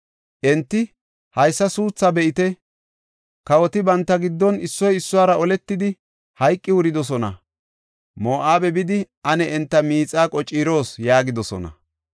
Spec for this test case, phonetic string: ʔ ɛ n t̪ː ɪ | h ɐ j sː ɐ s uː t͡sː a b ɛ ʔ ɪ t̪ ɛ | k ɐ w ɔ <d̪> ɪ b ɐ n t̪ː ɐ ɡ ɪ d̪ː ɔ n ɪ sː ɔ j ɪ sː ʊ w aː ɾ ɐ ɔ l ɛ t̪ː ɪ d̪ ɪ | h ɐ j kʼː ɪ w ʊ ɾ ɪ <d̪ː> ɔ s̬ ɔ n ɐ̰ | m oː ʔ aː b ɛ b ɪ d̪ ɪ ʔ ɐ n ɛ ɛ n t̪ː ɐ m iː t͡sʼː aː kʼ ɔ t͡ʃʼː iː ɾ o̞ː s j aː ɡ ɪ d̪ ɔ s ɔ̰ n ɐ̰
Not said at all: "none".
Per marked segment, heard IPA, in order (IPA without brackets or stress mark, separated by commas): t̪, d̪